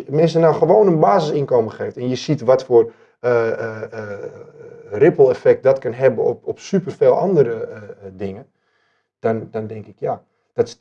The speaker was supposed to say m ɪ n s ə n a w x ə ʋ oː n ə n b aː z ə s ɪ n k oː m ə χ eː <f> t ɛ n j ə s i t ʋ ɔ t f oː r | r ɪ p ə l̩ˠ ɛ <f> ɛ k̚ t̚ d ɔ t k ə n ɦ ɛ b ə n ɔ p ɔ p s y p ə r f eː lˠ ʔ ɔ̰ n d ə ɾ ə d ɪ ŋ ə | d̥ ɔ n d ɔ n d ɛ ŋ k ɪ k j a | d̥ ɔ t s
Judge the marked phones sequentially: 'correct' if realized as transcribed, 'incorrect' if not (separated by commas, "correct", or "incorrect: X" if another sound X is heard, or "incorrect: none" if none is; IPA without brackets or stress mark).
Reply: correct, correct